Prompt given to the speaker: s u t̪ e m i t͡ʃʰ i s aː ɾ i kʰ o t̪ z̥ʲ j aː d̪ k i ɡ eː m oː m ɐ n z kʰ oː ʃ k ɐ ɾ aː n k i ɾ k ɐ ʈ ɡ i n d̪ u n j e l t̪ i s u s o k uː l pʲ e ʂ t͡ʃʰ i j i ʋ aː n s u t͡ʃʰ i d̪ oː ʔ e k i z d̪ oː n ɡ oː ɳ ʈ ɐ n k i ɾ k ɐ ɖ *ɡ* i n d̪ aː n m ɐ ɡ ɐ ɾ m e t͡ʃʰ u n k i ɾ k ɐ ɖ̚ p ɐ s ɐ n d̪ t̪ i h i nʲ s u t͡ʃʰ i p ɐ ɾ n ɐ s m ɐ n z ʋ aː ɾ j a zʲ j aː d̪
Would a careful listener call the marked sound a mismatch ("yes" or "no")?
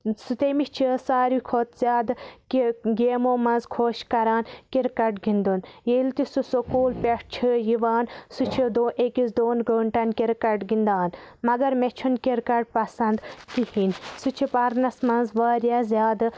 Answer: no